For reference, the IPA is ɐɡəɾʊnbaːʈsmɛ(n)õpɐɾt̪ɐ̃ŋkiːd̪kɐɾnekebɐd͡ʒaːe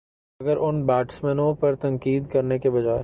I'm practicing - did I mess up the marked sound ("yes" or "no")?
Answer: no